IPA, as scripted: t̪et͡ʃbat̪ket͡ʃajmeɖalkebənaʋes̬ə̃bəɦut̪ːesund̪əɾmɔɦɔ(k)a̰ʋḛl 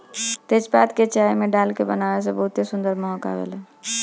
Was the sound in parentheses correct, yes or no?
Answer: yes